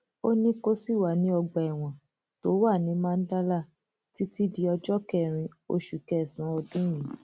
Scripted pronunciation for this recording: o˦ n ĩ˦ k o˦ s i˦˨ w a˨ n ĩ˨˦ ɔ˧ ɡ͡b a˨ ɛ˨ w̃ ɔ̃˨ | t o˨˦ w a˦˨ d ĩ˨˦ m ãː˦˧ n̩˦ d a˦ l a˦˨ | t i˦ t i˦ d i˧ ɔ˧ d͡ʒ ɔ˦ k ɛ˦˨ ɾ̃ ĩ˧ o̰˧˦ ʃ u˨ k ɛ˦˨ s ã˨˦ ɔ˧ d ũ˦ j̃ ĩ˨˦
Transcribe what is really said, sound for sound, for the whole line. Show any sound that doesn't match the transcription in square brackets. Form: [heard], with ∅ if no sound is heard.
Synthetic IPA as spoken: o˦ n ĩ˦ k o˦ s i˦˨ w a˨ n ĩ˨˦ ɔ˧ ɡ͡b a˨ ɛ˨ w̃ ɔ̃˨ | t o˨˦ w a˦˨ [n] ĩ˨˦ m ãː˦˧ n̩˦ d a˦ l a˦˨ | t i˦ t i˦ d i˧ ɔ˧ d͡ʒ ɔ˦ k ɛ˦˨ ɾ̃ ĩ˧ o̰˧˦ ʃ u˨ k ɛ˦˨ s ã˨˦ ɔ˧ d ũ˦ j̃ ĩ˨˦